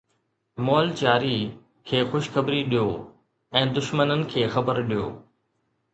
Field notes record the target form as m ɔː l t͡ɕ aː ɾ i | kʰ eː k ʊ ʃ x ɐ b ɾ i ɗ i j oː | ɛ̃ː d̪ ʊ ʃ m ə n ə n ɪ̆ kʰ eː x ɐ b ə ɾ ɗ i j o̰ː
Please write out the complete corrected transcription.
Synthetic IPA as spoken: m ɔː l t͡ɕ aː ɾ i | kʰ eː x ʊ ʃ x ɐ b ɾ i ɗ i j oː | ɛ̃ː d̪ ʊ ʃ m ə n ə n ɪ̆ kʰ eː x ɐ b ə ɾ ɗ i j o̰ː